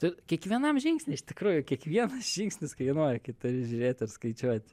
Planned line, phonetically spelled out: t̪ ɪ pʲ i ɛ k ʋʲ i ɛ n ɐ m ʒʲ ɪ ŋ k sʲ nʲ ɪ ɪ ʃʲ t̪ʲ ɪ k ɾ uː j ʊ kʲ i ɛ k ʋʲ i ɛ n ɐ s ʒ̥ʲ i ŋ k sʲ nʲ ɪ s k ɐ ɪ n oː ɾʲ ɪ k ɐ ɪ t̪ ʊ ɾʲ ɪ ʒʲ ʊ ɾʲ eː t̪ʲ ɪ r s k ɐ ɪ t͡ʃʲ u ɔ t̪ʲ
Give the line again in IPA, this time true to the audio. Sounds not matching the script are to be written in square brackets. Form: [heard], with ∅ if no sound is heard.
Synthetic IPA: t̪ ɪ [kʲ] i ɛ k ʋʲ i ɛ n ɐ m ʒʲ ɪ ŋ k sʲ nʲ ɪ ɪ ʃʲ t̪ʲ ɪ k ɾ uː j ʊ kʲ i ɛ k ʋʲ i ɛ n ɐ s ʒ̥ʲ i ŋ k sʲ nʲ ɪ s k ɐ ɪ n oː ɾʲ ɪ k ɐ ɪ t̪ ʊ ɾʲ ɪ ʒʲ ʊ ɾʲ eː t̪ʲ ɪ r s k ɐ ɪ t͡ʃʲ u ɔ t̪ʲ